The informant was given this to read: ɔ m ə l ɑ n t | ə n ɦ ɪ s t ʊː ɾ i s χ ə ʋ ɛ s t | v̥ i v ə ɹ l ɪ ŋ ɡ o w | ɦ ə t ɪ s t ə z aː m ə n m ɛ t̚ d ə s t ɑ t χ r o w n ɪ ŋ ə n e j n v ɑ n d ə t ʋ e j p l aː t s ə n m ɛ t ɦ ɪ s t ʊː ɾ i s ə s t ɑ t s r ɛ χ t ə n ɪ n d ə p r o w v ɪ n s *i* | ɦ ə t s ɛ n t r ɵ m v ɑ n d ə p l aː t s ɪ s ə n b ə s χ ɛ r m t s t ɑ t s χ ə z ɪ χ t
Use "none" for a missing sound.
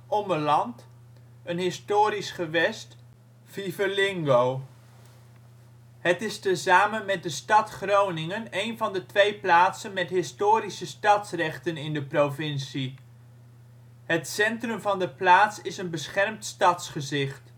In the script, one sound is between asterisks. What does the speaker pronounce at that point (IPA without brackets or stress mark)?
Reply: i